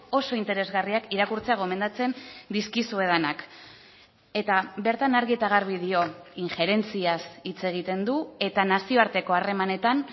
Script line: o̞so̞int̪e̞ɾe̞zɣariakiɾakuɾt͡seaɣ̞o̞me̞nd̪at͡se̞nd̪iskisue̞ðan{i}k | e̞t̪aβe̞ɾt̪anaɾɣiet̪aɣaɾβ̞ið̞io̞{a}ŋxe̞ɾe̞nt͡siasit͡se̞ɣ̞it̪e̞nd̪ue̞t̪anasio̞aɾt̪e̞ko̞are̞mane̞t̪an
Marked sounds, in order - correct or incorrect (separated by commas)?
incorrect, incorrect